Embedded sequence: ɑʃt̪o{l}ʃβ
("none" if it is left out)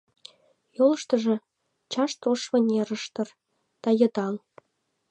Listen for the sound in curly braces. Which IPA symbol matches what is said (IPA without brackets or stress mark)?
none